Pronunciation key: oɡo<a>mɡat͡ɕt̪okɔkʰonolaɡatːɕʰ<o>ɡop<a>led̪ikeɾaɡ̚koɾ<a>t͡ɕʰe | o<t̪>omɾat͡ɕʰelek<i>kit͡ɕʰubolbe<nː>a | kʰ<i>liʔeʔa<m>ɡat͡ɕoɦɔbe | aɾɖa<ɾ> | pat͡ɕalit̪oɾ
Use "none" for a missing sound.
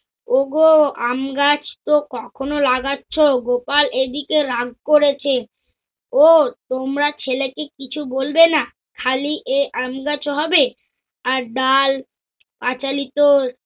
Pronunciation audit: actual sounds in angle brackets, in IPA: a, o, a, e, t̪, e, n, a, m, l

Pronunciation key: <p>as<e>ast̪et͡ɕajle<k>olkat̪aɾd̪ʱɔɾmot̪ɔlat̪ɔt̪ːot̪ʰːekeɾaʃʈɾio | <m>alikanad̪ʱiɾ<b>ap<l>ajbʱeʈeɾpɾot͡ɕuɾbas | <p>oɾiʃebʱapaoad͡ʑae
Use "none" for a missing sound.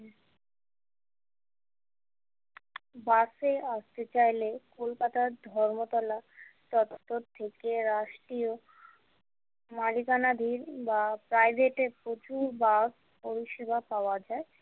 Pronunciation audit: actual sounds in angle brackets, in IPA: b, e, k, m, b, ɾ, p

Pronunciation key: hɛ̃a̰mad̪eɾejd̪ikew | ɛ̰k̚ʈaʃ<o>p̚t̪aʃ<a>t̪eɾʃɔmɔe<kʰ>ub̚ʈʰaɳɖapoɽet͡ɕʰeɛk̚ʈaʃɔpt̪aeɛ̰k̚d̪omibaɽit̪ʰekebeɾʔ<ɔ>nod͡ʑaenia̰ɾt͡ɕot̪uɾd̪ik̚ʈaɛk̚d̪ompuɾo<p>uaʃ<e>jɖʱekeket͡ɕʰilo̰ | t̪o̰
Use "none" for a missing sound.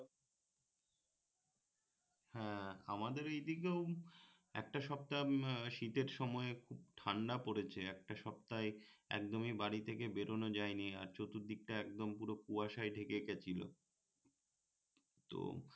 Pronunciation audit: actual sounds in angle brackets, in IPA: ɔ, i, kʰ, o, k, a

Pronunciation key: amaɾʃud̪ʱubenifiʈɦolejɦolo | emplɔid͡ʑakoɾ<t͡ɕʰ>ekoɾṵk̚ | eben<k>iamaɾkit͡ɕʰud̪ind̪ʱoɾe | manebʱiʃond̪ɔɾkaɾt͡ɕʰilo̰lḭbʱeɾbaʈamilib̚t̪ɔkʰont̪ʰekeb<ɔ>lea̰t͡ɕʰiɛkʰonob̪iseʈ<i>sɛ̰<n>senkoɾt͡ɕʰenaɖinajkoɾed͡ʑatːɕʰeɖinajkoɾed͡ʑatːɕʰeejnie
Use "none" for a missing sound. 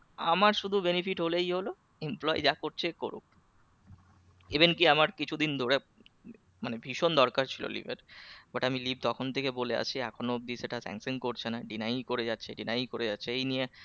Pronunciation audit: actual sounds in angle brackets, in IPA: t͡ɕʰ, k, o, a, ŋ

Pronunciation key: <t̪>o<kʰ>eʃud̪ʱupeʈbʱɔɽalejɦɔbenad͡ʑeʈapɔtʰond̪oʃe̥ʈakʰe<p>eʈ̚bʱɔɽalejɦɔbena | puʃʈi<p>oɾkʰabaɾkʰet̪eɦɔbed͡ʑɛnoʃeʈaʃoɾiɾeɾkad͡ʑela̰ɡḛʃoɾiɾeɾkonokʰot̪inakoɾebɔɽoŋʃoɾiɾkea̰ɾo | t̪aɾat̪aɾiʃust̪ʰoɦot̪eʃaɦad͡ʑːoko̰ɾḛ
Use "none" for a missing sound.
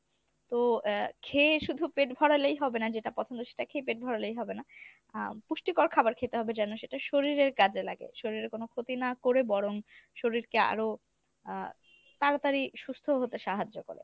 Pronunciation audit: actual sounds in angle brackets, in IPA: t̪, kʰ, p, k

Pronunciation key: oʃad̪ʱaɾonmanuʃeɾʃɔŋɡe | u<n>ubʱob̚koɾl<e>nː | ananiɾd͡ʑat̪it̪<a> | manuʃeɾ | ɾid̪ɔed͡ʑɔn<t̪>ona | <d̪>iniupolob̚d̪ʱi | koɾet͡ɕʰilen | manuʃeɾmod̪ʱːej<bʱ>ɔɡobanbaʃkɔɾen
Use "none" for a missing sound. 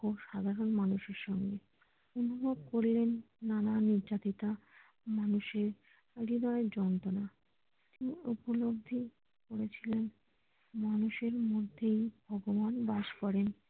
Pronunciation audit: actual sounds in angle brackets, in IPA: n, e, a, t̪, t̪, bʱ

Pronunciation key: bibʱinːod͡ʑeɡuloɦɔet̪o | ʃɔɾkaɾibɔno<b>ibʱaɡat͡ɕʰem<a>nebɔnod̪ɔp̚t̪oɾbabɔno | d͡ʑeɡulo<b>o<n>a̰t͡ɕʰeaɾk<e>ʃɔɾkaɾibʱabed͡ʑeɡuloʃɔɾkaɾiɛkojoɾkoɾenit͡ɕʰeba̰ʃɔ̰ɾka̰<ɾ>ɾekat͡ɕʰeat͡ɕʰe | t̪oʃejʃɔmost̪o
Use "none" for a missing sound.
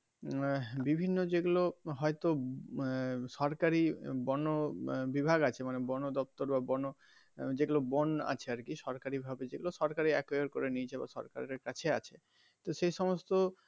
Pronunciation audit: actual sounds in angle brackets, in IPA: b, a, b, n, i, ɾ

